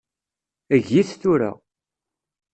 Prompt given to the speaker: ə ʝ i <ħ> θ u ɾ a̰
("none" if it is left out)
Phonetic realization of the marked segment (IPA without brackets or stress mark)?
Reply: θ